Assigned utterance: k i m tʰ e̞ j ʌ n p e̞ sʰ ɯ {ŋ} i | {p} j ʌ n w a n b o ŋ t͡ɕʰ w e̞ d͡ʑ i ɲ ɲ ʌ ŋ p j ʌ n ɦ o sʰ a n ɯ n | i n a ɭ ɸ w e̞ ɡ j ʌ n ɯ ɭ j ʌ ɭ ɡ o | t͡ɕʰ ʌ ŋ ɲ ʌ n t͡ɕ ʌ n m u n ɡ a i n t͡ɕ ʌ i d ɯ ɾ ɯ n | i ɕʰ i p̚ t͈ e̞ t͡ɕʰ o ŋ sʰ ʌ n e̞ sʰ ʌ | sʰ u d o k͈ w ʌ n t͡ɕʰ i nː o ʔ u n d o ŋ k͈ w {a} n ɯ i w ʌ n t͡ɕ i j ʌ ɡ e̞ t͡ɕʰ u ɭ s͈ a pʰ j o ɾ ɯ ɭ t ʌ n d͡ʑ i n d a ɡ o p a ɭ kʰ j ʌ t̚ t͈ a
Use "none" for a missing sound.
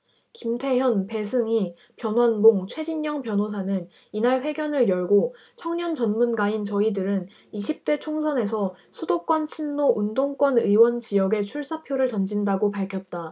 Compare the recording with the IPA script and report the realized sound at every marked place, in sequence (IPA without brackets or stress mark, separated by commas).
ŋ, p, ʌ